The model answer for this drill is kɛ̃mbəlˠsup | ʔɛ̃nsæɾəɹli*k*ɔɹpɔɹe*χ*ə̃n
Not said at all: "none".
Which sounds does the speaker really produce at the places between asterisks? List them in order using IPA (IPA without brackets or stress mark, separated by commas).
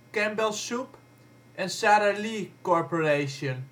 k, ʃ